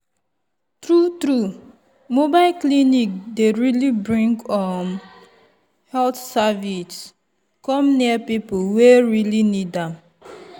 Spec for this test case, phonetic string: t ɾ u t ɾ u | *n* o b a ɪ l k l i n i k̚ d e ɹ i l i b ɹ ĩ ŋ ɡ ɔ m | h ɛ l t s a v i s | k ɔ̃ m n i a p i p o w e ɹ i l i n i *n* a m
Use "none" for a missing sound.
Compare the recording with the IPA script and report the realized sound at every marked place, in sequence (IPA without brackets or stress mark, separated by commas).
m, d